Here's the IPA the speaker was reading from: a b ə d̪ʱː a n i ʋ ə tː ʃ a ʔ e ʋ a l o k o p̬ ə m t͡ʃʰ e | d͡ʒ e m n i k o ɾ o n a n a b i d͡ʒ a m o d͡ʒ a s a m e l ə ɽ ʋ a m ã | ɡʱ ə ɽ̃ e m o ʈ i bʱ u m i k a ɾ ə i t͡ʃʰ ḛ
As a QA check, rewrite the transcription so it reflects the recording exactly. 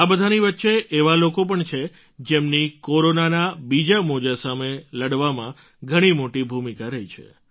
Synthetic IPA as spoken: a b ə d̪ʱ a n i ʋ ə tː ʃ e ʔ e ʋ a l o k o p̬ ə ɳ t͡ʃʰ e | d͡ʒ e m n i k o ɾ o n a n a b i d͡ʒ a m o d͡ʒ a s a m e l ə ɽ ʋ a m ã | ɡʱ ə ɽ̃ i m o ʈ i bʱ u m i k a ɾ ə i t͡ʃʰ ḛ